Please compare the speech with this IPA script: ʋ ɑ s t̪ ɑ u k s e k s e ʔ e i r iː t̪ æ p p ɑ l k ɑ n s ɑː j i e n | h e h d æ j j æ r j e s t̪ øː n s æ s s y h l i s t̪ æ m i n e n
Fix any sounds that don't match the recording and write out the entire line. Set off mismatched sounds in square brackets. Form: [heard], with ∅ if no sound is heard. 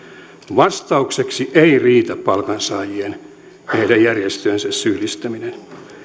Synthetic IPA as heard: ʋ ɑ s t̪ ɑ u k s e k s [i] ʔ e i r iː t̪ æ p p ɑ l k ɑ n s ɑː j i e n | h e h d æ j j æ r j e s t̪ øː n s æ s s y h l i s t̪ æ m i n e n